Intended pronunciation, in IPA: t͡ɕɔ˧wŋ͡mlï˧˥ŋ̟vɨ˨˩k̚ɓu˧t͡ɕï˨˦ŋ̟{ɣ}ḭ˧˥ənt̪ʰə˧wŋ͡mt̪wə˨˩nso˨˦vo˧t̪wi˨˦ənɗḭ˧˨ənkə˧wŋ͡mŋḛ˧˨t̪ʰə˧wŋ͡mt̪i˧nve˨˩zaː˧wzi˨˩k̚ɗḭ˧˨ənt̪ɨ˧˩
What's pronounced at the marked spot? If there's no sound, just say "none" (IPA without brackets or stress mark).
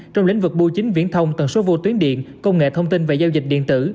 v